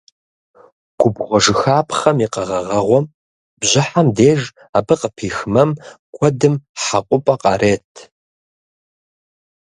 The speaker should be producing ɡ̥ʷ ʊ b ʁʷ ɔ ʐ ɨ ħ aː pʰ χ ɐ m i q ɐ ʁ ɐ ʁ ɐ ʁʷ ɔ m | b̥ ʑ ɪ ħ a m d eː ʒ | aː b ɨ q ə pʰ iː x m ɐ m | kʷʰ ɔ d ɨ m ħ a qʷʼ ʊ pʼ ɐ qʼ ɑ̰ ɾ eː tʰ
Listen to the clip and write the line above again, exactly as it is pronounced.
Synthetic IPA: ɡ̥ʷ ʊ b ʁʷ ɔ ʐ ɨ x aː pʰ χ ɐ m i q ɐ ʁ ɐ ʁ ɐ ʁʷ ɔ m | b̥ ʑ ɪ ħ a m d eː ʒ | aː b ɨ q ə pʰ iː x m ɐ m | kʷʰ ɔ d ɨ m ħ a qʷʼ ʊ pʼ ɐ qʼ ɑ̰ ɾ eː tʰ